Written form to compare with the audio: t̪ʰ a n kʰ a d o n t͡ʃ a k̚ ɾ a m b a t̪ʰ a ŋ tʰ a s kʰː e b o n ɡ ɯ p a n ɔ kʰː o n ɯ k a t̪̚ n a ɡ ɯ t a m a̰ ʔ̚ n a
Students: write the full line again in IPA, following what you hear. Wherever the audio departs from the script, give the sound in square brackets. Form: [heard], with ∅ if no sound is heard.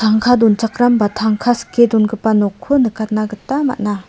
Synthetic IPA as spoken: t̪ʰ a [ŋ] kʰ a d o n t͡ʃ a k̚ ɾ a m b a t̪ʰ a ŋ [kʰ] a s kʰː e [d] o n ɡ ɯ p a n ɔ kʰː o n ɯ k a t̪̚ n a ɡ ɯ t a m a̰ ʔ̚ n a